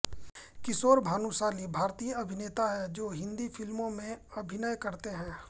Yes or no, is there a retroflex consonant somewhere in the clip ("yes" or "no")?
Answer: no